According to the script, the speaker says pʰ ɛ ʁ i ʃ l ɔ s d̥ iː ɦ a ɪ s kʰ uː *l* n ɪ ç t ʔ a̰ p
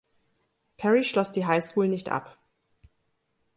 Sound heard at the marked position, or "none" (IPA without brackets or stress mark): l